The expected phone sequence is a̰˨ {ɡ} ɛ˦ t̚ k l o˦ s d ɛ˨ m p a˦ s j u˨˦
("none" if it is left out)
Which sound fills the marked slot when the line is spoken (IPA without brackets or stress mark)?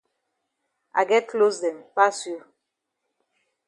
ɡ